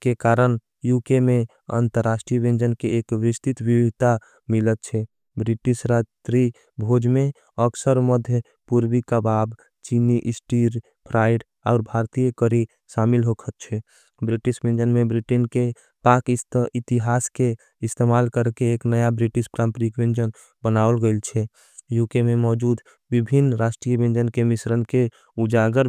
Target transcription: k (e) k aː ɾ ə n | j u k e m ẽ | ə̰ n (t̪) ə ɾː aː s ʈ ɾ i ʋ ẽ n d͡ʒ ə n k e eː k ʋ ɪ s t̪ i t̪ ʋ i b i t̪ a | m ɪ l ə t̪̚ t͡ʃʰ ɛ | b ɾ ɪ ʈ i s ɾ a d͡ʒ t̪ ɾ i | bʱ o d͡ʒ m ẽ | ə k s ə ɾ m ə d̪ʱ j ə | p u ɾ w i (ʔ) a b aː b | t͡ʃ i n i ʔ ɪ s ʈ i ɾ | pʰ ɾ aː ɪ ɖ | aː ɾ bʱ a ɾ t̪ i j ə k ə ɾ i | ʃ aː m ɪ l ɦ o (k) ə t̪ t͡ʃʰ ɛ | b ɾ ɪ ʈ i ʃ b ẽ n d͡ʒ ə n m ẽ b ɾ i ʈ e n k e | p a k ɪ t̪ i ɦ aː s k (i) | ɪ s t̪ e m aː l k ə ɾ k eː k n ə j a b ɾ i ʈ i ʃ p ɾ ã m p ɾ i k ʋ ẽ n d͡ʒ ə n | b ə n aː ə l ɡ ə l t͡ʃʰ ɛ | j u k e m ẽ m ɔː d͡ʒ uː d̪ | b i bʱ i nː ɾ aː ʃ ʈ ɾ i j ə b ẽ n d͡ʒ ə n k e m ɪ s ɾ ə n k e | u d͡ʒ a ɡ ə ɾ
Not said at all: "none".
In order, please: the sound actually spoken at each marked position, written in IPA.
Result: e, t̪, k, kʰ, e

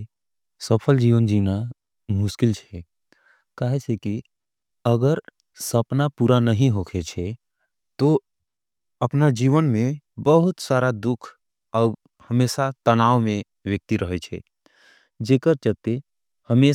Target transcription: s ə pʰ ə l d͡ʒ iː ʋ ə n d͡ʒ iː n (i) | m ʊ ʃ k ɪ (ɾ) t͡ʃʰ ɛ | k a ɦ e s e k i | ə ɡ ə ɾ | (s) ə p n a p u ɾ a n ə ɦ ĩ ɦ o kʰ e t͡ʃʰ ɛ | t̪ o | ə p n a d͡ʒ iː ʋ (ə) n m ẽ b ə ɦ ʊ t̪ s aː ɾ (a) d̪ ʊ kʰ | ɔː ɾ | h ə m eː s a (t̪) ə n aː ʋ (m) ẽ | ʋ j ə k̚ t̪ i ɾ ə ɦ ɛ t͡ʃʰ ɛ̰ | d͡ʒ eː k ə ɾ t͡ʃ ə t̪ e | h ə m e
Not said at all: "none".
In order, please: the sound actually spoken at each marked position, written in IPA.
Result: a, l, s, ə, a, t̪, m

